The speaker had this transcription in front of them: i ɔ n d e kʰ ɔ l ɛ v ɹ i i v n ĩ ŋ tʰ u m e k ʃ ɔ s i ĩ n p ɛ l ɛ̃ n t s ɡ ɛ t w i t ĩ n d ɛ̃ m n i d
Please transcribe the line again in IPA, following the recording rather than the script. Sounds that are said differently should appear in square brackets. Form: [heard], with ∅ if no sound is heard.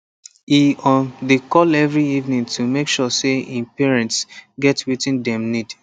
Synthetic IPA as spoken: i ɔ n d e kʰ ɔ l ɛ v ɹ i i v n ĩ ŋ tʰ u m e k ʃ ɔ s [e] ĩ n p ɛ [ɹ] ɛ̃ n t s ɡ ɛ t w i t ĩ n d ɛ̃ m n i d